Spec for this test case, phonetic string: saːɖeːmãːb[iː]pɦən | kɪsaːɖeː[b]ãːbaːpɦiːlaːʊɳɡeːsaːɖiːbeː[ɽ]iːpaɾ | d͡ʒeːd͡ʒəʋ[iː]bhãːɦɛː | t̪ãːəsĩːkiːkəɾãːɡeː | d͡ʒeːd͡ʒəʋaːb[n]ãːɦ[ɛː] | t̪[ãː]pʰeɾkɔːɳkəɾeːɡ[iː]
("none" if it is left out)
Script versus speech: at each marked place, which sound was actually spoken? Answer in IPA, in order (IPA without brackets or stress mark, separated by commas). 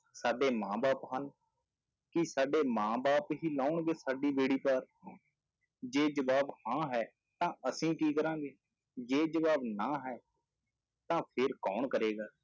aː, m, ɽ, aː, n, ɛː, ãː, aː